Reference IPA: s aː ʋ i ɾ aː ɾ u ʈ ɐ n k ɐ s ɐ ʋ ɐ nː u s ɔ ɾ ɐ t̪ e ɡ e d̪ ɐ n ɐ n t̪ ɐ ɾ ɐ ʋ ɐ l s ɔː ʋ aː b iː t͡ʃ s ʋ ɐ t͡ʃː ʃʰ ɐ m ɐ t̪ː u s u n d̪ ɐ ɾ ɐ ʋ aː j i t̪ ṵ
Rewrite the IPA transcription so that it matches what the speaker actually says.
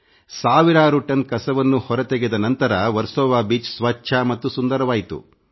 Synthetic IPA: s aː ʋ i ɾ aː ɾ u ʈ ɐ n k ɐ s ɐ ʋ ɐ nː u h ɔ ɾ ɐ t̪ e ɡ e d̪ ɐ n ɐ n t̪ ɐ ɾ ɐ ʋ ɐ ɾ s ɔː ʋ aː b iː t͡ʃ s ʋ ɐ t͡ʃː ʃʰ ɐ m ɐ t̪ː u s u n d̪ ɐ ɾ ɐ ʋ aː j i t̪ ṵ